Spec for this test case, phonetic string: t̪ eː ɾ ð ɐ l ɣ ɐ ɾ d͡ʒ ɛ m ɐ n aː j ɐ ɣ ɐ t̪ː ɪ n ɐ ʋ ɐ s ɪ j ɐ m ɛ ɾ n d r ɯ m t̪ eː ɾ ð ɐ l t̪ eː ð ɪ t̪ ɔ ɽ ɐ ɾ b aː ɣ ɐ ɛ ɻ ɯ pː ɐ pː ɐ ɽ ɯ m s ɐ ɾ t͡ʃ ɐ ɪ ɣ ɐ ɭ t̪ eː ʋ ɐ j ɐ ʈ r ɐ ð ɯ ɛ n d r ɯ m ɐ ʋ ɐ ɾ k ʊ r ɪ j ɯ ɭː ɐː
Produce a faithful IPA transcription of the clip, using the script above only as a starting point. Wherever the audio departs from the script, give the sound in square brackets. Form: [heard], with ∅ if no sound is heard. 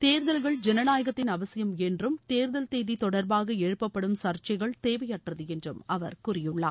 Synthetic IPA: t̪ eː ɾ ð ɐ l ɣ ɐ [ɭ] d͡ʒ ɛ [n] ɐ n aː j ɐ ɣ ɐ t̪ː ɪ n ɐ ʋ ɐ s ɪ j ɐ m ɛ [∅] n d r ɯ m t̪ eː ɾ ð ɐ l t̪ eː ð [i] t̪ ɔ ɽ ɐ ɾ b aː ɣ ɐ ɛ ɻ ɯ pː ɐ pː ɐ ɽ ɯ m s ɐ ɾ t͡ʃ ɐ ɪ ɣ ɐ ɭ t̪ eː ʋ ɐ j ɐ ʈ r ɐ ð ɯ ɛ n d r ɯ m ɐ ʋ ɐ ɾ k ʊ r ɪ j ɯ ɭː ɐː